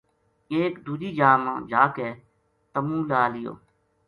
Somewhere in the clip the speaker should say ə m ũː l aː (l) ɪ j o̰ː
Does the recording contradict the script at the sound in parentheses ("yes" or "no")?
no